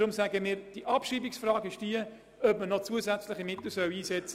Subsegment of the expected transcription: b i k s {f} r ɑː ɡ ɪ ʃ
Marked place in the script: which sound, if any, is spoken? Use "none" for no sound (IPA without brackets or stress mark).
f